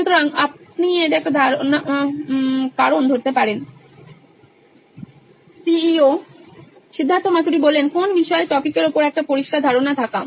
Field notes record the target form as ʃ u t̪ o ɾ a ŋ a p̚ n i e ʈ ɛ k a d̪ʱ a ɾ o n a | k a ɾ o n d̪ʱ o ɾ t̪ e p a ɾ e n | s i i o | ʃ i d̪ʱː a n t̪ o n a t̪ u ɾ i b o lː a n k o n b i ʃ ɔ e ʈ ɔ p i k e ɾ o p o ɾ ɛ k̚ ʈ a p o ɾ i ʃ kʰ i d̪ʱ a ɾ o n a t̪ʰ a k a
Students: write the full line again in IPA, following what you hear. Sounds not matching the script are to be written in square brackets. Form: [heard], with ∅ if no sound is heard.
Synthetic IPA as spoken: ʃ u t̪ o ɾ a ŋ a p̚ n i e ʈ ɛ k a d̪ʱ a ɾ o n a | k a ɾ o n d̪ʱ o ɾ t̪ e p a ɾ e n | s i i o | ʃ i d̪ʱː a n t̪ o [m] a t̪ u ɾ i b o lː [e] n k o n b i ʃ ɔ e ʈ ɔ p i k e ɾ o p o ɾ ɛ k̚ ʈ a p o ɾ i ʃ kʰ [a] d̪ʱ a ɾ o n a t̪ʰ a k a